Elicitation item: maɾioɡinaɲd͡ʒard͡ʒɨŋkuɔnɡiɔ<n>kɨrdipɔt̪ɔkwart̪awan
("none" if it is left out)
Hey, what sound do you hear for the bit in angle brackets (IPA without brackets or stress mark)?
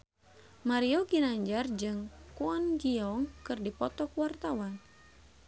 ŋ